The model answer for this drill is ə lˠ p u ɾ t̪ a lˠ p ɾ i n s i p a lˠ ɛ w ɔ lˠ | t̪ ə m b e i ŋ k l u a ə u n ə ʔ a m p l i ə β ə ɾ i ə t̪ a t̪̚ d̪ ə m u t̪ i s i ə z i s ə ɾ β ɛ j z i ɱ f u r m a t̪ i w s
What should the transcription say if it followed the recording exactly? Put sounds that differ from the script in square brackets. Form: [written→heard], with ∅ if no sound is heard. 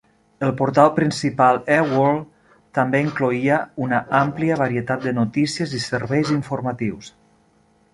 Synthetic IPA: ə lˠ p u ɾ t̪ a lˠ p ɾ i n s i p a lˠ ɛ w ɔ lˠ | t̪ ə m b e i ŋ k l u [a→i] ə u n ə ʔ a m p l i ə β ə ɾ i ə t̪ a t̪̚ d̪ ə [m→n] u t̪ i s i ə z i s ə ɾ β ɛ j z i ɱ f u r m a t̪ i w s